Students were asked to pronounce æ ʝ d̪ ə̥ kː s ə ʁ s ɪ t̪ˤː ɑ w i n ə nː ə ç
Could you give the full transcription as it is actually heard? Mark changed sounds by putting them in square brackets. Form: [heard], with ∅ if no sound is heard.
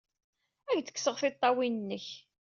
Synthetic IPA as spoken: æ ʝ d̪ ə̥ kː s ə ʁ [θ] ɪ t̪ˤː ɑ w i n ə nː ə ç